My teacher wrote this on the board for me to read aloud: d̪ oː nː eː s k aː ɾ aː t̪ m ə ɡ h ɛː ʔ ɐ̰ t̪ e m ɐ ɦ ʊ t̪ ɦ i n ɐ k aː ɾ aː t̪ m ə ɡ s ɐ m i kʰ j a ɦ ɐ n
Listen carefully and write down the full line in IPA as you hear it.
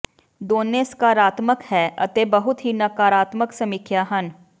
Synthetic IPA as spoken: d̪ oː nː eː s k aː ɾ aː t̪ m ə k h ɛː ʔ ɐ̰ t̪ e b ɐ ɦ ʊ t̪ ɦ i n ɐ k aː ɾ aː t̪ m ə k s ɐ m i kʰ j a ɦ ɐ n